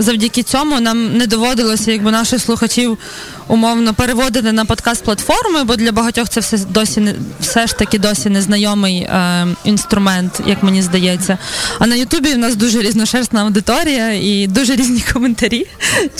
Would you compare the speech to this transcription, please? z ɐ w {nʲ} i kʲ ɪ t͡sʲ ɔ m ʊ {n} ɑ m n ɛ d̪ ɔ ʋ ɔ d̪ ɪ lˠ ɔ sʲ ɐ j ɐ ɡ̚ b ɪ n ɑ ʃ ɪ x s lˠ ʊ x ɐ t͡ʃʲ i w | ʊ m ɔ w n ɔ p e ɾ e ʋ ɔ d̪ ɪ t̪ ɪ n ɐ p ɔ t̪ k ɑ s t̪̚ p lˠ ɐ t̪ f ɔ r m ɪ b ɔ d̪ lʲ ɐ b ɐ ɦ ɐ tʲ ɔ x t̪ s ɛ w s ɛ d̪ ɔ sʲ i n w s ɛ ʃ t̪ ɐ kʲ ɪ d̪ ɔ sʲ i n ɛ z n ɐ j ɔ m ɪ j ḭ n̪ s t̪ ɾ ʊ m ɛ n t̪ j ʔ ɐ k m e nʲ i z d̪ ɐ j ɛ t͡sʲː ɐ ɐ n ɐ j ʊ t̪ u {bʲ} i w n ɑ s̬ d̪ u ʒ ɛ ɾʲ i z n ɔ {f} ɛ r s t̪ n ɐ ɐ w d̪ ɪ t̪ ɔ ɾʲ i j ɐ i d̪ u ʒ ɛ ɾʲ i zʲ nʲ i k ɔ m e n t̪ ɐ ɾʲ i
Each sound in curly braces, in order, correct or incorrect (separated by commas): incorrect, correct, correct, incorrect